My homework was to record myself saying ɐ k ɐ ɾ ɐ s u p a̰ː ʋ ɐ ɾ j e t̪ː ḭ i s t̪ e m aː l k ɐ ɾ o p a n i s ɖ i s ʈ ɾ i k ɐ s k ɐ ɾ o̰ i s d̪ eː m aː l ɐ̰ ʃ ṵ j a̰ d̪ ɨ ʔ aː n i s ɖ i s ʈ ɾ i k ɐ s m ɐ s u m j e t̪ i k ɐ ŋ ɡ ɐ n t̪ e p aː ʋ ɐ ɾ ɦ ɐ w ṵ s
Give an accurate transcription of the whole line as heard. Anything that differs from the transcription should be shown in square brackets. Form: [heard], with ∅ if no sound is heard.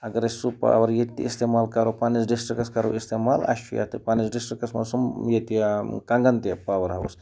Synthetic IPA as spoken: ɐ [ɡ] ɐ ɾ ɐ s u p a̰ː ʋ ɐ ɾ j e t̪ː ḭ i s t̪ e m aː l k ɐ ɾ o p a n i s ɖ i s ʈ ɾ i k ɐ s k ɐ ɾ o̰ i s [t̪] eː m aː l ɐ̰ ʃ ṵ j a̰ [t̪] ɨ [p] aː n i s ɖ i s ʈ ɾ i k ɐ s m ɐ s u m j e t̪ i k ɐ ŋ ɡ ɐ n t̪ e p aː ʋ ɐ ɾ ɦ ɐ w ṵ s